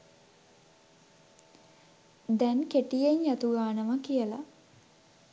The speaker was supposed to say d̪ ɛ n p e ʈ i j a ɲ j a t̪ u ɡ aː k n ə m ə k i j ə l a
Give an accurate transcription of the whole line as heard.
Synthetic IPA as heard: d̪ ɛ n k e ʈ i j e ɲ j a t̪ u ɡ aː n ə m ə k i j ə l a